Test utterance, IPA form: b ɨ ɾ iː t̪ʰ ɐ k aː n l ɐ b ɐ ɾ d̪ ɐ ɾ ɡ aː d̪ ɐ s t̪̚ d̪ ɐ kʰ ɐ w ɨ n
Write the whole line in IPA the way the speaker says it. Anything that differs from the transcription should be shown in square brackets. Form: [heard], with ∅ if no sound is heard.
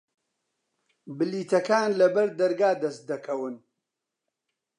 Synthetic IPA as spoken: b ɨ [l] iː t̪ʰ ɐ k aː n l ɐ b ɐ ɾ d̪ ɐ ɾ ɡ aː d̪ ɐ s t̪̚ d̪ ɐ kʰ ɐ w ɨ n